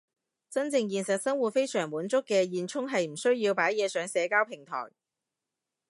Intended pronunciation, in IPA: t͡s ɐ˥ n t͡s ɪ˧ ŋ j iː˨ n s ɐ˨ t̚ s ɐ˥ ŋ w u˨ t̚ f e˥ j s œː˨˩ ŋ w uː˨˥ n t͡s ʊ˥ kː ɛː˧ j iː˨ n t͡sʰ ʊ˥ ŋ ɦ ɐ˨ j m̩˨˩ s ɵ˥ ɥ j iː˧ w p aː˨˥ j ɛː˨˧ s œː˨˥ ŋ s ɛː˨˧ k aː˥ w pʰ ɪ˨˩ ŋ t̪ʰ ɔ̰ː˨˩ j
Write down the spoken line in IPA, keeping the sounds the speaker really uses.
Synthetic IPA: t͡s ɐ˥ n t͡s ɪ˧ ŋ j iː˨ n s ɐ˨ t̚ s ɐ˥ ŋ w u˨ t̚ f e˥ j s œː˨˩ ŋ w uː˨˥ n t͡s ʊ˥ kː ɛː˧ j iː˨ n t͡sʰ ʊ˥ ŋ ɦ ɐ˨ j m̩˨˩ s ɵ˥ ɥ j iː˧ w p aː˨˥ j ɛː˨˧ s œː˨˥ ŋ s ɛː˨˧ k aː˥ w pʰ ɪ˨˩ ŋ t̪ʰ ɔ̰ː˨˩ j